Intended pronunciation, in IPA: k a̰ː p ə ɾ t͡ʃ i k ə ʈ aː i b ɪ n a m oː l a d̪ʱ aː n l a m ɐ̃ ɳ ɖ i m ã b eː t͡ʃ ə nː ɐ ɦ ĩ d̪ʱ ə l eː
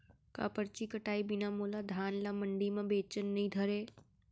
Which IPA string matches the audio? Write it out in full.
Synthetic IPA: k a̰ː p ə ɾ t͡ʃ i k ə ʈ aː i b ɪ n a m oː l a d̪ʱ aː n l a m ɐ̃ ɳ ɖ i m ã b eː t͡ʃ ə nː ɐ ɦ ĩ d̪ʱ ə ɾ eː